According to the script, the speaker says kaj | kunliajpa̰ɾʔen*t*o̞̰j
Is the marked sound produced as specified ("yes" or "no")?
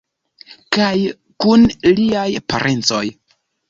no